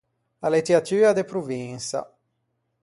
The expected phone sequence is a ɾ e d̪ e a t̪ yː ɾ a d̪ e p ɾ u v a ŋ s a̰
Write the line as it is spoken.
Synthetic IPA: a l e t̪ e a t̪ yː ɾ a d̪ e p ɾ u v i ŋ s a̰